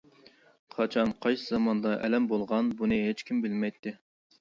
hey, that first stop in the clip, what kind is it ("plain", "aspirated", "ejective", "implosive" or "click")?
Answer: aspirated